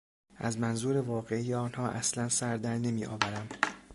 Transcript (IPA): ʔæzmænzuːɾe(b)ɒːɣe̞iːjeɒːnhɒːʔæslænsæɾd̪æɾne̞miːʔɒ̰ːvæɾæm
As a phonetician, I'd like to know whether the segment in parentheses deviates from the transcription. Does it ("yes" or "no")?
yes